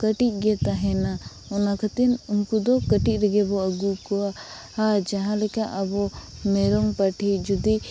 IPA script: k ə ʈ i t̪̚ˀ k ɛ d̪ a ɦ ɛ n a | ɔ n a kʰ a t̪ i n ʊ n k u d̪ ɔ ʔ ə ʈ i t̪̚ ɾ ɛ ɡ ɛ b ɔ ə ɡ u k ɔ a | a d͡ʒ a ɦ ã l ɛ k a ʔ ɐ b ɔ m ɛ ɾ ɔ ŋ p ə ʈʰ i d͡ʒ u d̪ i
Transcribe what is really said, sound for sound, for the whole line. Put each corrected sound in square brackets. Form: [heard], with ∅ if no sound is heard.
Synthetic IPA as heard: k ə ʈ i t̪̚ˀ [ɡ] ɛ [t̪] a ɦ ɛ n a | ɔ n a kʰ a t̪ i n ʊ n k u d̪ ɔ [k] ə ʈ i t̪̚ ɾ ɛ ɡ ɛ b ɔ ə ɡ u k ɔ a | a d͡ʒ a ɦ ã l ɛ k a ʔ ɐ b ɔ m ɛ ɾ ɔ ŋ p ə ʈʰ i d͡ʒ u d̪ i